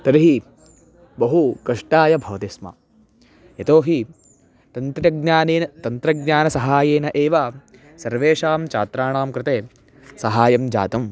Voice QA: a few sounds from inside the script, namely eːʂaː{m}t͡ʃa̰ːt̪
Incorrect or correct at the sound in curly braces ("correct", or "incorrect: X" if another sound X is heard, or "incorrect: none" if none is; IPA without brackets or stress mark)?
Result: correct